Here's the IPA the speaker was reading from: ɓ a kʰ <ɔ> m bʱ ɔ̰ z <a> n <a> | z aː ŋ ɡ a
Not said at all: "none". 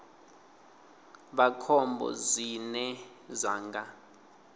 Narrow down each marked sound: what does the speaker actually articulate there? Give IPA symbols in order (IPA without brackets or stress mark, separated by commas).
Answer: ɔ, i, ɛ